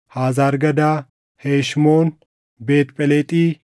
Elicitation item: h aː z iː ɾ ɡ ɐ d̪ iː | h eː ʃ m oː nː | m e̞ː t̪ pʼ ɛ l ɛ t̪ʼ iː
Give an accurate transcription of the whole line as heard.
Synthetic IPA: h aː z aː ɾ ɡ ɐ d̪ aː | h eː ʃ m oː n | b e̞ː t̪ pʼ ɛ l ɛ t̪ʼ iː